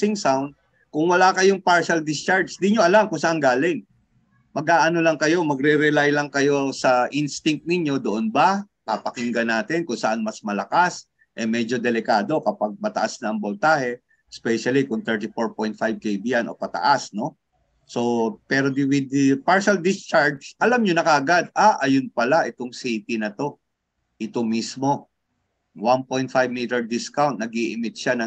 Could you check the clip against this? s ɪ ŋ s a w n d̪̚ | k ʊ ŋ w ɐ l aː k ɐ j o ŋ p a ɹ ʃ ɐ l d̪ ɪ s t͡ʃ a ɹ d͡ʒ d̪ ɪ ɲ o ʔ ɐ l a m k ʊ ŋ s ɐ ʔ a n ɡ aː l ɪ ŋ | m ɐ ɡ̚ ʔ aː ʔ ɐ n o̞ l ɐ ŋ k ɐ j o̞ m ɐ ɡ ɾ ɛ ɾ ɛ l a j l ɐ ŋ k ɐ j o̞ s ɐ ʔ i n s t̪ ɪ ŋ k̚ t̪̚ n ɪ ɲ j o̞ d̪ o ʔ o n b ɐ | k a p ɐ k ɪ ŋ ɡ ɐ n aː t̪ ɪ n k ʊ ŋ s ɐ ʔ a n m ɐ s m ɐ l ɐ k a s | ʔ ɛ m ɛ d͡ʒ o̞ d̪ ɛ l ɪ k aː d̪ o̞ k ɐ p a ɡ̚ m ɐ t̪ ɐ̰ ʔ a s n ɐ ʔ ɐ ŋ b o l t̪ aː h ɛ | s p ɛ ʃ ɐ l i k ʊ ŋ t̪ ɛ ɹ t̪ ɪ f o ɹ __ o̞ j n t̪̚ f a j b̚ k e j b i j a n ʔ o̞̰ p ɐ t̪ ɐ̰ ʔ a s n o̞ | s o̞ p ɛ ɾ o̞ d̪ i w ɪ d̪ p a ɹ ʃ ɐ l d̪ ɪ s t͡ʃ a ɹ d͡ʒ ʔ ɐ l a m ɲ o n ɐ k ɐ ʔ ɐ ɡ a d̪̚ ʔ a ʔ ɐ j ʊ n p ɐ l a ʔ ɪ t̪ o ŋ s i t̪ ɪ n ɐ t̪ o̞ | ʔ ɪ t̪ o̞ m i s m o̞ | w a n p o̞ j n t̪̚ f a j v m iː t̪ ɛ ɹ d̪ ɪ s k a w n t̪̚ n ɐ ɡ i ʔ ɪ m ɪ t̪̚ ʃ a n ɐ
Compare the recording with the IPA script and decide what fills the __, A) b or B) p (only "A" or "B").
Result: B